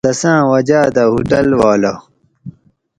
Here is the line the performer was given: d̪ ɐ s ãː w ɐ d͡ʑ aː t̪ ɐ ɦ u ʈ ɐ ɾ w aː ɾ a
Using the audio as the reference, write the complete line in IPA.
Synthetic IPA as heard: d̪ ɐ s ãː w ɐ d͡ʑ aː d̪ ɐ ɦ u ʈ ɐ l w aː l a